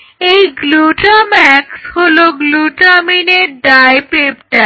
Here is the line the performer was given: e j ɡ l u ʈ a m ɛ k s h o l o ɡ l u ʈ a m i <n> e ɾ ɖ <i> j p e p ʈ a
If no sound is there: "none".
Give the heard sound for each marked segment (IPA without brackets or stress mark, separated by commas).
n, a